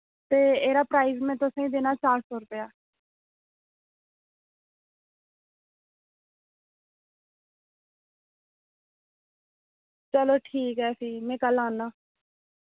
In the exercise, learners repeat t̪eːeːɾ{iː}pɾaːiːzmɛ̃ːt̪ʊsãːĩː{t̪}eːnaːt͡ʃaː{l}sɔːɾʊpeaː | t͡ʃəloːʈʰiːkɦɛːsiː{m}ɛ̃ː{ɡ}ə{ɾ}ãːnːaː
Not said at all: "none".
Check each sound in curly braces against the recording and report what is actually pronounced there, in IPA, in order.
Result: aː, d̪, ɾ, m, k, l

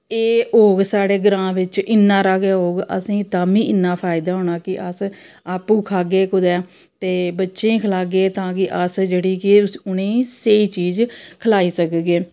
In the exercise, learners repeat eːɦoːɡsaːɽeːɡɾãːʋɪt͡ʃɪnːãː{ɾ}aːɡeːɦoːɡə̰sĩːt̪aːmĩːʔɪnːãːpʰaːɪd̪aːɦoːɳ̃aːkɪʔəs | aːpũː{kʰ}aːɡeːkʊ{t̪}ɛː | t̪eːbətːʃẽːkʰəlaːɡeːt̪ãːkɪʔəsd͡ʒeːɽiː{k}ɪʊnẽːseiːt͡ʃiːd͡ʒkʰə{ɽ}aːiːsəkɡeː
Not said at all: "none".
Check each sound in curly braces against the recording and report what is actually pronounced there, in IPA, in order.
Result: ɾ, kʰ, d̪, k, l

